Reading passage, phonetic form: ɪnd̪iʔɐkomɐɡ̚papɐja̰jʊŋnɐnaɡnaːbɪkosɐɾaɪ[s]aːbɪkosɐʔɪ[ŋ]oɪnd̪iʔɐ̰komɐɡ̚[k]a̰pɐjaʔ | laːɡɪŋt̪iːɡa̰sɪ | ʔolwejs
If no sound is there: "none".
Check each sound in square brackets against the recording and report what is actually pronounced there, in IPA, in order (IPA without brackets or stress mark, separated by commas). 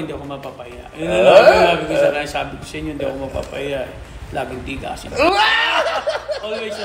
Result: s, ɲ, p